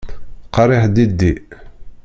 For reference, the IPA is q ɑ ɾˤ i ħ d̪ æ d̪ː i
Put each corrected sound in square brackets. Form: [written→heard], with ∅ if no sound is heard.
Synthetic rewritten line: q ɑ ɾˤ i ħ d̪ [æ→i] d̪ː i